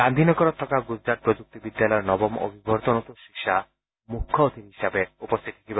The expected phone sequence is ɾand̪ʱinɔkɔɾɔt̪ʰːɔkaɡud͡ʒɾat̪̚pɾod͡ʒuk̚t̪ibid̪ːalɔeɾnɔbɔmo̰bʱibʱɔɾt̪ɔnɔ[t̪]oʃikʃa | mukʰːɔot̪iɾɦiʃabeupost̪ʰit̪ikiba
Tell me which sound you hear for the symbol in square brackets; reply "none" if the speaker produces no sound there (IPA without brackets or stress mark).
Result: t̪